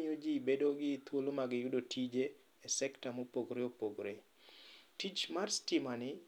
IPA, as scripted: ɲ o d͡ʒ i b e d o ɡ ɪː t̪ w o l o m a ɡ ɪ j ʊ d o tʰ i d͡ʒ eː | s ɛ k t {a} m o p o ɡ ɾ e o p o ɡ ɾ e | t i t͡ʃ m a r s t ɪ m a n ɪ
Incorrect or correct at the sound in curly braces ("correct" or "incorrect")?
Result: correct